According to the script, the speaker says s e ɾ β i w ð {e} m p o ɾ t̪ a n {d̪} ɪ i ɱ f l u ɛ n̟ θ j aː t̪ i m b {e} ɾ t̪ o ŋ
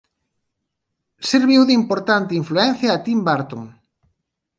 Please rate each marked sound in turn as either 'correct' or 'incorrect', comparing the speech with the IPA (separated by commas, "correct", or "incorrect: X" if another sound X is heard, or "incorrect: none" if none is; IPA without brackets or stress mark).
incorrect: i, incorrect: t̪, incorrect: a